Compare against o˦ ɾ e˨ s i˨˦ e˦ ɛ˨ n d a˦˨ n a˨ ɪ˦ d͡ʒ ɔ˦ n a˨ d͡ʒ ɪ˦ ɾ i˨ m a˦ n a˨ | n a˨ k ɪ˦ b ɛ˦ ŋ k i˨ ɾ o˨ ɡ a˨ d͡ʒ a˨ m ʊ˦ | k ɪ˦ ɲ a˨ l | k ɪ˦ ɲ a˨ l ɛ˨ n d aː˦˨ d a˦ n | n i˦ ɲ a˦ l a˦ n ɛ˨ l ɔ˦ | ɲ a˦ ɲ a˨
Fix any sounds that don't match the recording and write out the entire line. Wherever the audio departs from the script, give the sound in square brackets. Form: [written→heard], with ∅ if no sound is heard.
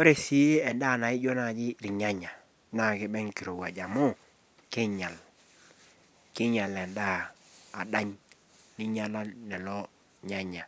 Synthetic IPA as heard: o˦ ɾ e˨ s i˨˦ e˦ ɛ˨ n d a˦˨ n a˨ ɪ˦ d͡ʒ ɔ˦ n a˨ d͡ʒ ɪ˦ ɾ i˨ [m→ɲ] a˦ [n→ɲ] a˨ | n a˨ k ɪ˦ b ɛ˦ ŋ k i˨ ɾ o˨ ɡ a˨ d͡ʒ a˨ m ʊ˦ | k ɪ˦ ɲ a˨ l | k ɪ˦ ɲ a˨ l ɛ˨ n d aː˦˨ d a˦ [n→ɲ] | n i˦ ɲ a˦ l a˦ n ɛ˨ l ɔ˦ | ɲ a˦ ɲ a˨